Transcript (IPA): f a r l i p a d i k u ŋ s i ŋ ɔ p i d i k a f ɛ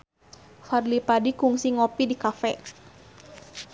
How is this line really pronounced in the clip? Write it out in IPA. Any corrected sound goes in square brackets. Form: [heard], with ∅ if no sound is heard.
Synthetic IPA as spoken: f a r l i p a d i k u ŋ s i ŋ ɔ p i d i k a f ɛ

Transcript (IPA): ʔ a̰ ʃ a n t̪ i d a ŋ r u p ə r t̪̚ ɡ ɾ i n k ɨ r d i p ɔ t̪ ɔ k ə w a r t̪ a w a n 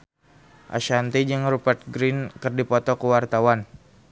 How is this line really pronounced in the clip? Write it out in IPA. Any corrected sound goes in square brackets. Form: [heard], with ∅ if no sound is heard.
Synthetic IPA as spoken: ʔ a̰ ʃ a n t̪ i [d͡ʒ] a ŋ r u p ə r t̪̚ ɡ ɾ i n k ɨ r d i p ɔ t̪ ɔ k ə w a r t̪ a w a n

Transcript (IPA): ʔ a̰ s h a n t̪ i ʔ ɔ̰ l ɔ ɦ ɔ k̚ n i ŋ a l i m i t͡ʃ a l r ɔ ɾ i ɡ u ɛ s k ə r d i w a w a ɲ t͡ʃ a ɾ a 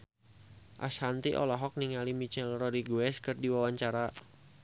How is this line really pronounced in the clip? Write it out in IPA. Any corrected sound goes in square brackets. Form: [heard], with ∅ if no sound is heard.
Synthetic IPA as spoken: ʔ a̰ s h a n t̪ i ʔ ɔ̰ l ɔ ɦ ɔ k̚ n i ŋ a l i m i t͡ʃ [ɛ] l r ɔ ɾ i ɡ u ɛ s k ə r d i w a w a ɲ t͡ʃ a ɾ a

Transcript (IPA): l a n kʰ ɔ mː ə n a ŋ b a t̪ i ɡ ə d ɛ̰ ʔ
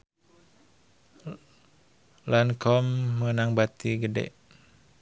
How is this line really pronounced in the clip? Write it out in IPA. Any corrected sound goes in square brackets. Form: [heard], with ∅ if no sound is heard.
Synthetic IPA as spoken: l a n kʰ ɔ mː ə n a ŋ b a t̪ i ɡ ə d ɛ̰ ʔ

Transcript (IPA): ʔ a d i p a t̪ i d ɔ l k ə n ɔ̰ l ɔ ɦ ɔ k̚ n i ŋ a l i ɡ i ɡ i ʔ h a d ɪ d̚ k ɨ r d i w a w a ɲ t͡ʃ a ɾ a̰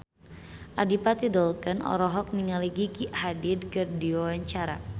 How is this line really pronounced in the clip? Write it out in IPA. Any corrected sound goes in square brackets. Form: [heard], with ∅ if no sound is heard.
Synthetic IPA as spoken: ʔ a d i p a t̪ i d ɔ l k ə n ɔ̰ [ɾ] ɔ ɦ ɔ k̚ n i ŋ a l i ɡ i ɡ i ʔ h a d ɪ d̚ k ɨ r d i w a w a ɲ t͡ʃ a ɾ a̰

